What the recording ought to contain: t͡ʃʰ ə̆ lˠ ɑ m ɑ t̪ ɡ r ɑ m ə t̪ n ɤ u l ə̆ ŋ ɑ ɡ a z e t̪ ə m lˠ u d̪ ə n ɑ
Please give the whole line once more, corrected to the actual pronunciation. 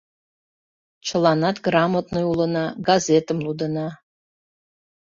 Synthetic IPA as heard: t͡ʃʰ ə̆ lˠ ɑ n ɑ t̪ ɡ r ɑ m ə t̪ n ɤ u l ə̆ n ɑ ɡ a z e t̪ ə m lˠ u d̪ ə n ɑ